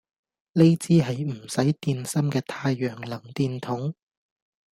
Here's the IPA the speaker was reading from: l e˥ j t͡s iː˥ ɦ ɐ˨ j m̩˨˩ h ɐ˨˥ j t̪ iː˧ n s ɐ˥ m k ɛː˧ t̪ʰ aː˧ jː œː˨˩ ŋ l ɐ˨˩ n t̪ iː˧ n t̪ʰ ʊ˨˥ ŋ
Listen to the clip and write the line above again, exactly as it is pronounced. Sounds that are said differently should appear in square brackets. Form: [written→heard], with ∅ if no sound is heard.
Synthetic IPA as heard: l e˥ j t͡s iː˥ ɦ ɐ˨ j m̩˨˩ [h→s] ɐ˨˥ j t̪ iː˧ n s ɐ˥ m k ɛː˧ t̪ʰ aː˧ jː œː˨˩ ŋ l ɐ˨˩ [n→ŋ] t̪ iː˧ n t̪ʰ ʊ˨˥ ŋ